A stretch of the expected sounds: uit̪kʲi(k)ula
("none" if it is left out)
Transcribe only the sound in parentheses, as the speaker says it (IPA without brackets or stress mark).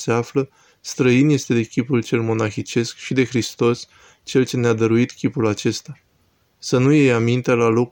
p